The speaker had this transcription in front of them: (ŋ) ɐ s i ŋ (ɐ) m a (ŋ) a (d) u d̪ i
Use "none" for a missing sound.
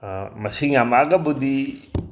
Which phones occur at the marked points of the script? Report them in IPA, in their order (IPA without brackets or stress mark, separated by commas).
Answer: m, a, ɡ, b